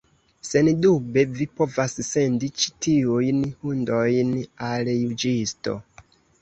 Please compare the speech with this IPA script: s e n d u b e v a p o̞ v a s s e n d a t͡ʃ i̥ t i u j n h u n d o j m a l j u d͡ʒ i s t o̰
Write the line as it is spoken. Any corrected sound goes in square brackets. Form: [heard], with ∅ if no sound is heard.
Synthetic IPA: s e n d u b e v [i] p o̞ v a s s e n d [i] t͡ʃ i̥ t i u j n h u n d o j [n] a l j u d͡ʒ i s t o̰